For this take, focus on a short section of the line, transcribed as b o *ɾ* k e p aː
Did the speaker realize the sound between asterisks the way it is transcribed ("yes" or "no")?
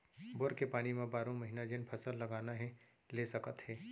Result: yes